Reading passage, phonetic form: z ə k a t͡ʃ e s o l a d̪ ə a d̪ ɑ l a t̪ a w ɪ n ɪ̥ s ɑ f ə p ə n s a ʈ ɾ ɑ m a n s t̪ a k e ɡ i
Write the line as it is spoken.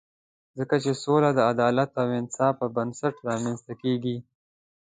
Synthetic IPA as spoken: z ə k a t͡ʃ e s o l a d̪ ə a d̪ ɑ l a t̪ a w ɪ n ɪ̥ s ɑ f ə b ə n s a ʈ ɾ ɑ m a n s t̪ a k e ɡ i